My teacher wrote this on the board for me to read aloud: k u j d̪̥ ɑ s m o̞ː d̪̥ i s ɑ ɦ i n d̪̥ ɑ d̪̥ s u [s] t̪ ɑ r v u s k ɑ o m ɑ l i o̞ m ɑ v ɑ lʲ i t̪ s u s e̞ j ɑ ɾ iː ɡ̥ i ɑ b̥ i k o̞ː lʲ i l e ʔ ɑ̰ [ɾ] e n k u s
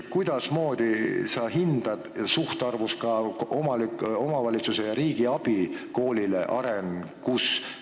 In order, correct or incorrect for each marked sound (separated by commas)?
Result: incorrect, correct